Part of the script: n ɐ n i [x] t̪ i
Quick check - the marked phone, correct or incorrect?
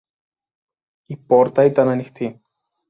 correct